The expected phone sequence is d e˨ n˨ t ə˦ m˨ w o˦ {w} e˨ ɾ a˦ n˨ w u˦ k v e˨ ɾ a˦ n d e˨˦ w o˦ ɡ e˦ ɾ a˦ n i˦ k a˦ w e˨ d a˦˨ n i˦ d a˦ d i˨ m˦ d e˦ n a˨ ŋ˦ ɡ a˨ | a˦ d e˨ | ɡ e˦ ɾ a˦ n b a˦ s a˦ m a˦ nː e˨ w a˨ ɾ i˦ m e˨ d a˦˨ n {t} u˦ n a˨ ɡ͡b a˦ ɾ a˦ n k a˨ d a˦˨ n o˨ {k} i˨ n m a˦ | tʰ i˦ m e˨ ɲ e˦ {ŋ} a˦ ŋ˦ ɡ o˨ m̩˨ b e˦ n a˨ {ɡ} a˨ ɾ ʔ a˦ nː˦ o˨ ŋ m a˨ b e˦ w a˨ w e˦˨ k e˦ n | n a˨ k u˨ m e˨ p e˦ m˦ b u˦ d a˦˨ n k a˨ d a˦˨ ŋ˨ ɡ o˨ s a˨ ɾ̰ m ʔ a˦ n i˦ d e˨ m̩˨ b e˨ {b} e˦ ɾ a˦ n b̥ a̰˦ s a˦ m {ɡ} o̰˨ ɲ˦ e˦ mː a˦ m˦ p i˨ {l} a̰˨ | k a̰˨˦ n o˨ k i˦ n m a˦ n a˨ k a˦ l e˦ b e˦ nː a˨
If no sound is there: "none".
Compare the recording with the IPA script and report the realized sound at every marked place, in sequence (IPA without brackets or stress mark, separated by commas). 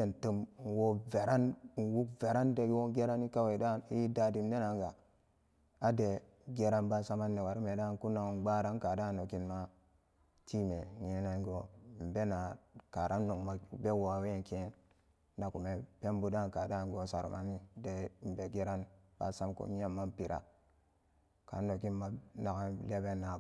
v, k, k, n, k, ɡ, k, ɾ